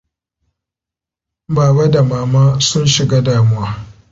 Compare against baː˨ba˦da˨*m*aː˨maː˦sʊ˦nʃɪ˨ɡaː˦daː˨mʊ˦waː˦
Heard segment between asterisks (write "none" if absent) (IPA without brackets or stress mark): m